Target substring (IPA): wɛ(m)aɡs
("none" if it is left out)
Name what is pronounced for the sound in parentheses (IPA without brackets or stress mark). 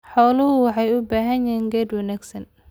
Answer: n